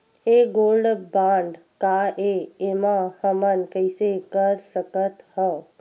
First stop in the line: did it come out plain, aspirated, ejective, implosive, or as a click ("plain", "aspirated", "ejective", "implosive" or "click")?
plain